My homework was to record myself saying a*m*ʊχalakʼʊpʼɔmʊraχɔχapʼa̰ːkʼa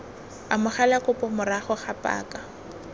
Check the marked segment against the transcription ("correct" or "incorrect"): correct